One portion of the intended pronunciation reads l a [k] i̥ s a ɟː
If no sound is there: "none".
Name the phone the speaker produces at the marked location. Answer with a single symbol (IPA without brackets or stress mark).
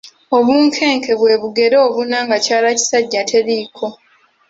c